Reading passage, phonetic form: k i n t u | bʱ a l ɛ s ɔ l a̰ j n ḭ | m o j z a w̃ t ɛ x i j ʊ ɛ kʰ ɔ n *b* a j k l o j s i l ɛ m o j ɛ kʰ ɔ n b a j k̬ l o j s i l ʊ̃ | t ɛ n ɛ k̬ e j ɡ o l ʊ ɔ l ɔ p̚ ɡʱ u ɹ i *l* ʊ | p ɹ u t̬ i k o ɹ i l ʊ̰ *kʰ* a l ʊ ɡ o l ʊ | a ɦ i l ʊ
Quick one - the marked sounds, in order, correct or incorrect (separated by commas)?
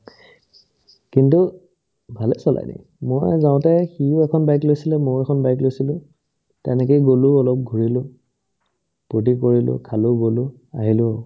correct, correct, correct